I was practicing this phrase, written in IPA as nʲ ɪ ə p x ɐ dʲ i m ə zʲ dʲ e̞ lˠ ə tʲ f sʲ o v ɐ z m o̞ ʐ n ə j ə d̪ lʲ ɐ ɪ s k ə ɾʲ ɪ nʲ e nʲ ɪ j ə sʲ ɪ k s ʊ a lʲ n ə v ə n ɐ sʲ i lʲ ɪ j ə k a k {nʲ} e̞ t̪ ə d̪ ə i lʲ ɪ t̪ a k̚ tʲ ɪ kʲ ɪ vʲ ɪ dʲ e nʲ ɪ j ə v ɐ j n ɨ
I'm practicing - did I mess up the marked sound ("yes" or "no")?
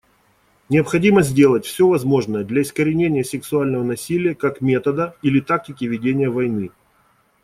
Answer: yes